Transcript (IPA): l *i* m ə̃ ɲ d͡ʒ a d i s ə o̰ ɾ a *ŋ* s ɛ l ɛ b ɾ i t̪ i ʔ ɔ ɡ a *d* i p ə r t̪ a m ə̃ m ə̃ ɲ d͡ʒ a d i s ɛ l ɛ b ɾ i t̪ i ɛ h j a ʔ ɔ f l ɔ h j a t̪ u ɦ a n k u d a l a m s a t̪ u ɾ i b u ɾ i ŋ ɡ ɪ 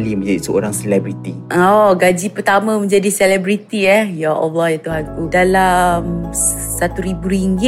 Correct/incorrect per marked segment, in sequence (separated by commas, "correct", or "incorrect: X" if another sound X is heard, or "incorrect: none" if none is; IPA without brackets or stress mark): correct, correct, incorrect: d͡ʒ